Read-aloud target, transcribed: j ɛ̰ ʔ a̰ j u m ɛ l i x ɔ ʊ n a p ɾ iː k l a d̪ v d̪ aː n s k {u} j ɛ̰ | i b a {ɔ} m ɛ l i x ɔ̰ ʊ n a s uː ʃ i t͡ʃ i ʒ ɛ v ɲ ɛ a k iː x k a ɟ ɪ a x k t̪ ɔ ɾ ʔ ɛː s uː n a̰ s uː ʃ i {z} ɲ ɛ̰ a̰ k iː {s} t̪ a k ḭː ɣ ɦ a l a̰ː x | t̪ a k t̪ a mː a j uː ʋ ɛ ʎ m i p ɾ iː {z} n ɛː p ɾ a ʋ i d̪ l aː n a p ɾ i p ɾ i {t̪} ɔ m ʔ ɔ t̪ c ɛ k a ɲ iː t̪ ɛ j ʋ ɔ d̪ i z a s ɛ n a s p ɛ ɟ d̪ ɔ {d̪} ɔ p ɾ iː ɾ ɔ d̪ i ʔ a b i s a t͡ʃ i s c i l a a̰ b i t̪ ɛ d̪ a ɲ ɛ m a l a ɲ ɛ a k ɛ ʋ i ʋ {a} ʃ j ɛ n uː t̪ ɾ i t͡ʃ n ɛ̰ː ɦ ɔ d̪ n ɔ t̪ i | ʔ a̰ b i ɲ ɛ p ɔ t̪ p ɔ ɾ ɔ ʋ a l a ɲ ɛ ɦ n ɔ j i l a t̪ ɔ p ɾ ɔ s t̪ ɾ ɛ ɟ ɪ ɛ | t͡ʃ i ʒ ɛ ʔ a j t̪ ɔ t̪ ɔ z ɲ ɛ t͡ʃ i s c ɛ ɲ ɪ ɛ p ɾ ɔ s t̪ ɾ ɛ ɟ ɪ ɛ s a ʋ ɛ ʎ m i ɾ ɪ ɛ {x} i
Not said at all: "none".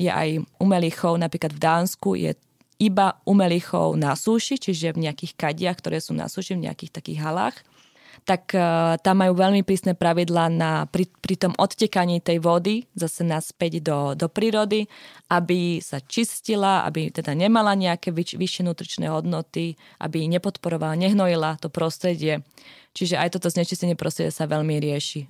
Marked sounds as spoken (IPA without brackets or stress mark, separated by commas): u, u, v, x, s, t̪, d̪, i, ʃ